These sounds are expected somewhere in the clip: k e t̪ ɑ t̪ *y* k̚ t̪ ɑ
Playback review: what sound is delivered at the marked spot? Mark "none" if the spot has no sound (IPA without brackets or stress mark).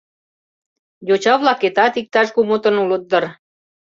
i